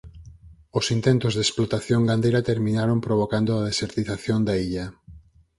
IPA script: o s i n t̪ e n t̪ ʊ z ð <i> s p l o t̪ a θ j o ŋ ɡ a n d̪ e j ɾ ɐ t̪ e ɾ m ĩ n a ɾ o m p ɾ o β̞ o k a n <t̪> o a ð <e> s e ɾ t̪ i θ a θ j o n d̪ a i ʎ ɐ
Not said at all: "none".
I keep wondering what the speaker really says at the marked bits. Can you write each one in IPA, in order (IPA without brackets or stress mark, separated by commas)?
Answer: e, d̪, e